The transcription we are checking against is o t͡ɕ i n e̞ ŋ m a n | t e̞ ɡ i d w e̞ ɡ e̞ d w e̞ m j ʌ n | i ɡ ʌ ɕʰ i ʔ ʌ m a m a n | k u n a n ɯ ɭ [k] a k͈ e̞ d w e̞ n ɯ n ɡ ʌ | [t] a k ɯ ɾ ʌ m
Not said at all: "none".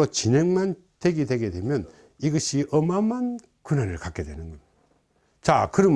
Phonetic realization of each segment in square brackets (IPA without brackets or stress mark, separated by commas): k, t͡ɕ